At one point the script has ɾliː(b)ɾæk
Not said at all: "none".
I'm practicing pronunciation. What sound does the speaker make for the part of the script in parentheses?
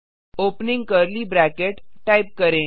b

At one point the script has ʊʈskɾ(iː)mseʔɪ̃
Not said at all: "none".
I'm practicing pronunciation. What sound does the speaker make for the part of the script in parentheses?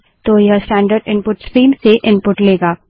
iː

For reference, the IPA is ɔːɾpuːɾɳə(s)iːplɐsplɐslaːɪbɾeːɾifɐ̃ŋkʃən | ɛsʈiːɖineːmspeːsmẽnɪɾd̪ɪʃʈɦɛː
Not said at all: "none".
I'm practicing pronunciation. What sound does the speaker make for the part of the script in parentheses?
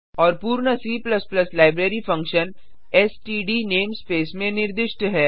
s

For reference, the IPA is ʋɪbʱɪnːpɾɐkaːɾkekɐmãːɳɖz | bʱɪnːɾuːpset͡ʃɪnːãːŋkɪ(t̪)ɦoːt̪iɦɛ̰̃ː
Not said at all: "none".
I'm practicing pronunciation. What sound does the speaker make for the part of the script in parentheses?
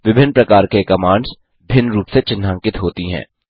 t̪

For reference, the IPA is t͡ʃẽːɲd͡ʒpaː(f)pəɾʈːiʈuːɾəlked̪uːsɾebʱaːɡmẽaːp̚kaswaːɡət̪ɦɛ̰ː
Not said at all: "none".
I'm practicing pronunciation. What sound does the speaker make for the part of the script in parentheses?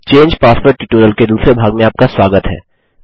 s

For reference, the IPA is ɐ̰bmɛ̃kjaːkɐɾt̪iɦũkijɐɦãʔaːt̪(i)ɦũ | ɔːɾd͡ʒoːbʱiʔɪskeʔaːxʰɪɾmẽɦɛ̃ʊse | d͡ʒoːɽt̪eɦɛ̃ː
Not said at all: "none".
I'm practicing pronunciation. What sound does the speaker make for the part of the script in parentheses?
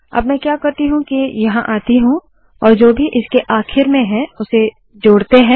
i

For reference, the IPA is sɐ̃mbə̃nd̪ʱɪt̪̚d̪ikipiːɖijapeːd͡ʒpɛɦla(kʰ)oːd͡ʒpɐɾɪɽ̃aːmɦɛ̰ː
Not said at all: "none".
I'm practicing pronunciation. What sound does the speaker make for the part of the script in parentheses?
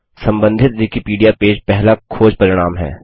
kʰ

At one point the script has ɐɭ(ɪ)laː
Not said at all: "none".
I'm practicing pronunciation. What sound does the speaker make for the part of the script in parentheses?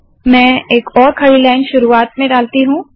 i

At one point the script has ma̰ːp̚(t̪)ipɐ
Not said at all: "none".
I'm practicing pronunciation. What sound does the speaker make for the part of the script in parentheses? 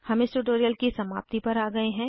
t̪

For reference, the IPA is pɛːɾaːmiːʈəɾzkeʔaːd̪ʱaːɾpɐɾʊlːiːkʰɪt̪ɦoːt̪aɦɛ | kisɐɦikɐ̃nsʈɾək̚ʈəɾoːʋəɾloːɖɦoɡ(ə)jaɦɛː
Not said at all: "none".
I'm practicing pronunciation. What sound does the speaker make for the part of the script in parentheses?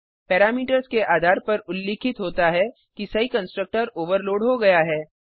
ɐ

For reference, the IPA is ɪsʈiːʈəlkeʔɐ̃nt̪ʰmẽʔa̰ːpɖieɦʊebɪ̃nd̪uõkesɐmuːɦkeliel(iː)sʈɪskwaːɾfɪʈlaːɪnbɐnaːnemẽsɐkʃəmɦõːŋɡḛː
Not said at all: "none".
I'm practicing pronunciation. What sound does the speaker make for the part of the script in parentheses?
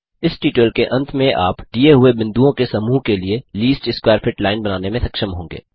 iː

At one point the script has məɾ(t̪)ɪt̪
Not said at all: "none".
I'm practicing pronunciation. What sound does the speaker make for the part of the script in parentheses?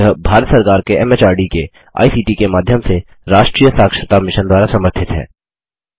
t̪ʰ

